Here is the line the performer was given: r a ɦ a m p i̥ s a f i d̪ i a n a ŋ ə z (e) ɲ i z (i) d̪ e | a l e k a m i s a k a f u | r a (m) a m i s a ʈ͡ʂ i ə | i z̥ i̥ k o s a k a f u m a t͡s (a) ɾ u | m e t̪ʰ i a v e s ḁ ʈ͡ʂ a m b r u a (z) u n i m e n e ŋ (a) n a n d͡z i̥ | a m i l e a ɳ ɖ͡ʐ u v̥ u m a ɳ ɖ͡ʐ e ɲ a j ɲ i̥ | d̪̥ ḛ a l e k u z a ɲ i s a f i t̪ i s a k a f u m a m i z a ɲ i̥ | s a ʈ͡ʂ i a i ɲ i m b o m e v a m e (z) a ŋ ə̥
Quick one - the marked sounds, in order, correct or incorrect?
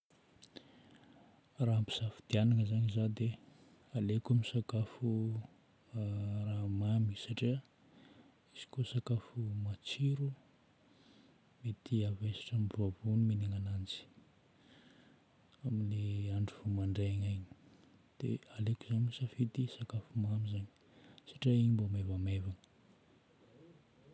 incorrect: a, incorrect: a, correct, incorrect: i, incorrect: v, correct, incorrect: v

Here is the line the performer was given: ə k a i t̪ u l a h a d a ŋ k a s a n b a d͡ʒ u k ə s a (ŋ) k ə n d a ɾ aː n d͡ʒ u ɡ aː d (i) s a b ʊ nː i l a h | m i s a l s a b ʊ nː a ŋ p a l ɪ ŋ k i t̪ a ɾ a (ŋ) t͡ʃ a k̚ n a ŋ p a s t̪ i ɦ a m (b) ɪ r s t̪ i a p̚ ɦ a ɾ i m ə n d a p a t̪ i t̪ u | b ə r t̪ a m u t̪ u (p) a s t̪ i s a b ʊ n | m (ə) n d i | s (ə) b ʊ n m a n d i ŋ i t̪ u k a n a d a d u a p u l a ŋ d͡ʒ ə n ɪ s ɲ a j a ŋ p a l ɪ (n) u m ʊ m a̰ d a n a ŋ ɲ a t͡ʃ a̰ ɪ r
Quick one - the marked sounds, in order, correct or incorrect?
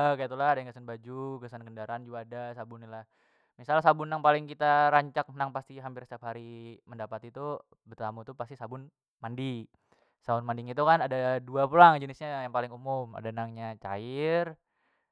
incorrect: n, incorrect: a, incorrect: ɲ, incorrect: p, correct, incorrect: a, incorrect: a, incorrect: ŋ

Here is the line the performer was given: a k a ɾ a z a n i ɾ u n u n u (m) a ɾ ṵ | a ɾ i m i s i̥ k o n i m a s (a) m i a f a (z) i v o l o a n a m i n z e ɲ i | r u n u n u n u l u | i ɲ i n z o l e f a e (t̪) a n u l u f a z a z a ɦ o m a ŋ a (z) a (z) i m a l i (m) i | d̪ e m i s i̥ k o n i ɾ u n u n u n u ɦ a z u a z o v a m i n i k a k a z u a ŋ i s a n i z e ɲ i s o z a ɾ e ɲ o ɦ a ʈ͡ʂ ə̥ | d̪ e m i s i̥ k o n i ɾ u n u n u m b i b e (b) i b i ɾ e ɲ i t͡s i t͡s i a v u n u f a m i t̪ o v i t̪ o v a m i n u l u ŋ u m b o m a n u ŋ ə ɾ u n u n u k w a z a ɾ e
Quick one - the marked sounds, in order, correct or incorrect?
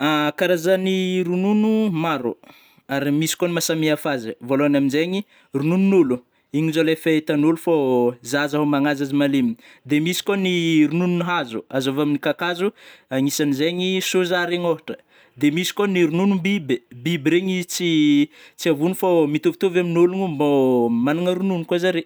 correct, correct, correct, correct, correct, correct, correct, correct

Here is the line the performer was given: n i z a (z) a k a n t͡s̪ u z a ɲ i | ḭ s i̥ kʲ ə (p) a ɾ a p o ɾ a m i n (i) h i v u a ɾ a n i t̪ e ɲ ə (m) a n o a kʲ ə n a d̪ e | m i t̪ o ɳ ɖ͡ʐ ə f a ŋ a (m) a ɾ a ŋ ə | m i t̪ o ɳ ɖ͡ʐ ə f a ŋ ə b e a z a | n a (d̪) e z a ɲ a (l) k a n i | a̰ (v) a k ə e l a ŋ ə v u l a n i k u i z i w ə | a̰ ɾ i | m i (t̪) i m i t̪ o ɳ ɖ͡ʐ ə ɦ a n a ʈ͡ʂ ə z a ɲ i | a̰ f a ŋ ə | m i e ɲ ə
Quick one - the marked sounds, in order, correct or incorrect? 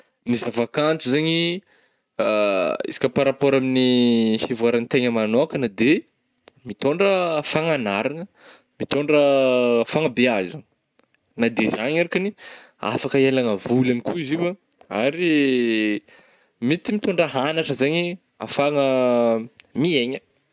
incorrect: v, correct, correct, correct, incorrect: n, correct, incorrect: ɾ, incorrect: f, correct

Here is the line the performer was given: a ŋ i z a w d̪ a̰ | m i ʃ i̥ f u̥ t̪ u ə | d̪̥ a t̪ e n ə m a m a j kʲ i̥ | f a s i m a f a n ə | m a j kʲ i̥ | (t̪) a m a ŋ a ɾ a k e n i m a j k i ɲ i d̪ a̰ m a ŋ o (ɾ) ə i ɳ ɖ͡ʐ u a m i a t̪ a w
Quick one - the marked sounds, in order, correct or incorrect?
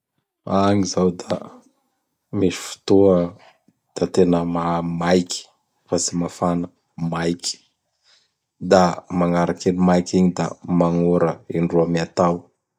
incorrect: d̪, correct

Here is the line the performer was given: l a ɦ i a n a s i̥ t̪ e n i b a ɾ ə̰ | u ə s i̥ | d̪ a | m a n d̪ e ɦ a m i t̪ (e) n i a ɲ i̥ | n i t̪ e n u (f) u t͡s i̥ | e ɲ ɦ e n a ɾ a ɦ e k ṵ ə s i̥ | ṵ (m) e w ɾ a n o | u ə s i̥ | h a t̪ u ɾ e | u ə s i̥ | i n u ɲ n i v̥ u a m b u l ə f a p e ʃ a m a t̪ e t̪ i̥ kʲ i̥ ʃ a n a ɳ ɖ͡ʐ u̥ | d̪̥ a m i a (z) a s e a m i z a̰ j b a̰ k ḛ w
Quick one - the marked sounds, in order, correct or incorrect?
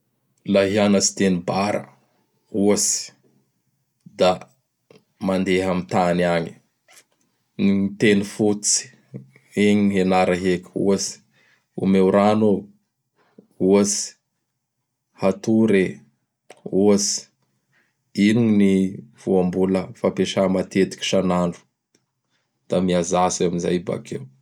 incorrect: a, correct, correct, correct

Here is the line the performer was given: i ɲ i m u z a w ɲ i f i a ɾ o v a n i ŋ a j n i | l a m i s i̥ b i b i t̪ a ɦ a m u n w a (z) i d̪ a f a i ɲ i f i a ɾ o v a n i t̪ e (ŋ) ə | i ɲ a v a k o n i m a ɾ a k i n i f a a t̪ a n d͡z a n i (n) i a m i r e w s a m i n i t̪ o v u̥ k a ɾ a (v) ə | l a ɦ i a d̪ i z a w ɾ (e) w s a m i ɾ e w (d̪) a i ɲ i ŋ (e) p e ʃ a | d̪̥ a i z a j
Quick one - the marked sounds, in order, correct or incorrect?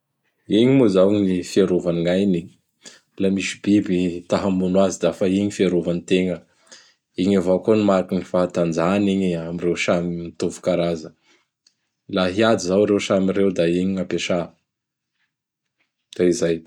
correct, correct, incorrect: ɲ, incorrect: z, correct, correct, incorrect: a

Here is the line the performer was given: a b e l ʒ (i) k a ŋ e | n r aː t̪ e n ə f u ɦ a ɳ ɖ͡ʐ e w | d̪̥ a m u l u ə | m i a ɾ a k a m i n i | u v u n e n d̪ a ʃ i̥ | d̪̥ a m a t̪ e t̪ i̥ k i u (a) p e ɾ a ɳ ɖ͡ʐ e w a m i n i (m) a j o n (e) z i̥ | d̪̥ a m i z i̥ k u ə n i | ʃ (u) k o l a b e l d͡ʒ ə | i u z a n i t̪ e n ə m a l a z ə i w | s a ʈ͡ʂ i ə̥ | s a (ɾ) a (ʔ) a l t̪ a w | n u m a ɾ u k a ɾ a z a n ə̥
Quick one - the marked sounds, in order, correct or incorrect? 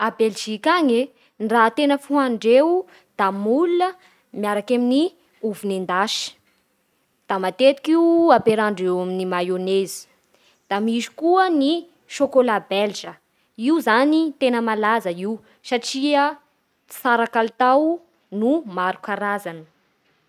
correct, correct, correct, correct, incorrect: o, correct, incorrect: k

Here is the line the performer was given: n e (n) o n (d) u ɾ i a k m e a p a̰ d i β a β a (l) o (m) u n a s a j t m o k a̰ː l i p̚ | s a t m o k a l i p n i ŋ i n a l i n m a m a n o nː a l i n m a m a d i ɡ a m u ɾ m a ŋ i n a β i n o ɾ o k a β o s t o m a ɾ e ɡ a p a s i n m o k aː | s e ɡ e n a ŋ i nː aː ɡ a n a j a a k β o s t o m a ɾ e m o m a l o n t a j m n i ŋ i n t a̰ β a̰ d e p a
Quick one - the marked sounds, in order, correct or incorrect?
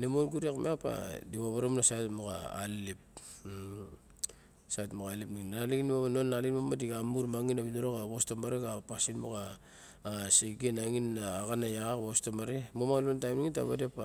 incorrect: m, incorrect: ɡ, incorrect: ɾ, correct

